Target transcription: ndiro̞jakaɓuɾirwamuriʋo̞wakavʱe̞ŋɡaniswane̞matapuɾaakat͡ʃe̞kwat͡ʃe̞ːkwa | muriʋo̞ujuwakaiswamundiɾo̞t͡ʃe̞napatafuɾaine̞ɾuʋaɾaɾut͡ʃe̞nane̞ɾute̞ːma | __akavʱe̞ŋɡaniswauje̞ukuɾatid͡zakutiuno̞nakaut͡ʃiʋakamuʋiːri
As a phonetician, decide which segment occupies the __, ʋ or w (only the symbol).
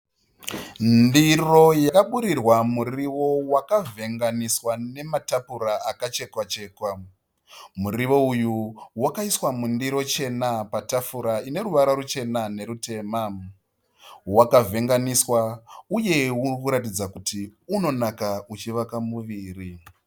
w